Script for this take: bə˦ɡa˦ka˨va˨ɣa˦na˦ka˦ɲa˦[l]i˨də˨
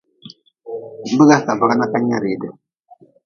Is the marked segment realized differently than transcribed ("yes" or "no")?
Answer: yes